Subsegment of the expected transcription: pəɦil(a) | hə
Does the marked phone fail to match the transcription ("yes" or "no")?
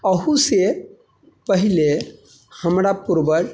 yes